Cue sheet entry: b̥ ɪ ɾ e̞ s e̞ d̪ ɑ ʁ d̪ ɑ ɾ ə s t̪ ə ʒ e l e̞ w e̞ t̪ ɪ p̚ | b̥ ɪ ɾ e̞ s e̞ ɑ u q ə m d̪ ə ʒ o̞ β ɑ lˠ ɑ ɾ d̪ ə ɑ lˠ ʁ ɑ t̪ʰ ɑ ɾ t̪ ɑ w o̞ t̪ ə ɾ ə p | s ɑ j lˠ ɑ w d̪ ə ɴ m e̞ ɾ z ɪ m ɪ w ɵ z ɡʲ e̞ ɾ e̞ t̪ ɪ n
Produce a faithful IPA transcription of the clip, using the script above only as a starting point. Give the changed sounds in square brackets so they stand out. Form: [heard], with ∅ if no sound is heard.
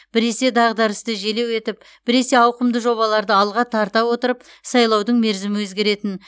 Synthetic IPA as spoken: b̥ ɪ ɾ e̞ s e̞ d̪ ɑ ʁ d̪ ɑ ɾ ə s t̪ ə ʒ e l e̞ w e̞ t̪ ɪ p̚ | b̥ ɪ ɾ e̞ s e̞ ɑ [w] q ə m d̪ ə ʒ o̞ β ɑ lˠ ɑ ɾ d̪ ə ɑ lˠ ʁ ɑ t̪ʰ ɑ ɾ t̪ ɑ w o̞ t̪ ə ɾ ə p | s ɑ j lˠ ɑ w d̪ ə ɴ m e̞ ɾ z ɪ m ɪ w ɵ z ɡʲ e̞ ɾ e̞ t̪ ɪ n